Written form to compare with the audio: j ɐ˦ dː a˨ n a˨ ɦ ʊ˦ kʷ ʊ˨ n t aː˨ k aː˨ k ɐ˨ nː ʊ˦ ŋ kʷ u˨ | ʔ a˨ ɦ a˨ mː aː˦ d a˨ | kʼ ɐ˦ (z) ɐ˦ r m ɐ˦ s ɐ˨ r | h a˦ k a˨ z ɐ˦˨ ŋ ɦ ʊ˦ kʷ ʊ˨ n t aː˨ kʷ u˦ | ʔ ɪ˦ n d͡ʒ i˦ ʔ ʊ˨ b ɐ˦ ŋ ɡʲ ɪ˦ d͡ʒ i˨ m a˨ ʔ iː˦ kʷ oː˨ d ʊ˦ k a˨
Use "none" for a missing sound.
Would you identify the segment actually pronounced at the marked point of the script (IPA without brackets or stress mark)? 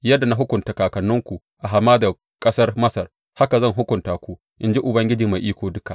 s